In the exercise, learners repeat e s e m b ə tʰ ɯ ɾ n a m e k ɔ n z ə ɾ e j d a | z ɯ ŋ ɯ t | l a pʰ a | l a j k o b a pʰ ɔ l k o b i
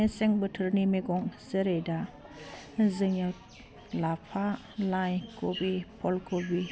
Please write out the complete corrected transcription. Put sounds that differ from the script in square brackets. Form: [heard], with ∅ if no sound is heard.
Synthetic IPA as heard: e s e [ŋ] b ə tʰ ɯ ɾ n [i] m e [ɡ] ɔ [ŋ] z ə ɾ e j d a | z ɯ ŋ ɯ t | l a pʰ a | l a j k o b [i] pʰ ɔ l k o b i